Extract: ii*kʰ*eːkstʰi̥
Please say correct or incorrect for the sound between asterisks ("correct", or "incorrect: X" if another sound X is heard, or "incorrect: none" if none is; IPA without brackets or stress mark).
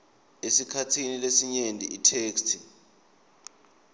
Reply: incorrect: tʰ